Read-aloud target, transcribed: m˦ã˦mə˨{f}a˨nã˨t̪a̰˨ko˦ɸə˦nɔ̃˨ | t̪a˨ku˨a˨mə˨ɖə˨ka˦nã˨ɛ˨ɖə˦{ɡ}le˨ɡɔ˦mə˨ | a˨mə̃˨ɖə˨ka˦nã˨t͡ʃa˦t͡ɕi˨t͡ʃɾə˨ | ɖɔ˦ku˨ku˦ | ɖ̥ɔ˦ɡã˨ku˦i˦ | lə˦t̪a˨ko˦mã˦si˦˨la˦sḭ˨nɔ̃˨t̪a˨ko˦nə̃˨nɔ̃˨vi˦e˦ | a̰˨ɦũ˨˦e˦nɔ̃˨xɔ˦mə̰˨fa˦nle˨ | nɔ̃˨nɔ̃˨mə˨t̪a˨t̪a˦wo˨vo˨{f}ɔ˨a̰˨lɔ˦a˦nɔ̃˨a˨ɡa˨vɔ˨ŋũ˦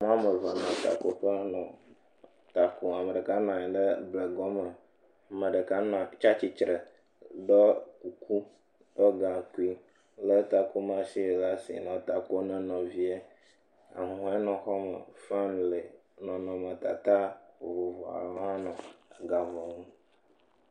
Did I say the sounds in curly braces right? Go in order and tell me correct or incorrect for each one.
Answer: incorrect: v, incorrect: b, incorrect: v

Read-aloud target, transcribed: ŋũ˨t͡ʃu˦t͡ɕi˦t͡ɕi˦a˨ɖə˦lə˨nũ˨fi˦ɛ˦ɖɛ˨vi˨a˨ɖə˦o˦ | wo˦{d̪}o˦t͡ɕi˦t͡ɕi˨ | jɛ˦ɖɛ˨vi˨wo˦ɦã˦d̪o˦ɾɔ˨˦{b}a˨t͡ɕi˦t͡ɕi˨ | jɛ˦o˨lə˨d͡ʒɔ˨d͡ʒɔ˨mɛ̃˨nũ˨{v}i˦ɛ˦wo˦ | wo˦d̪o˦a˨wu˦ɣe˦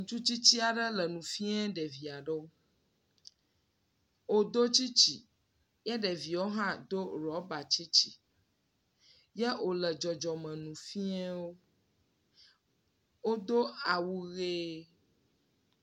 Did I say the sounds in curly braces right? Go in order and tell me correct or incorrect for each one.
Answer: correct, correct, incorrect: f

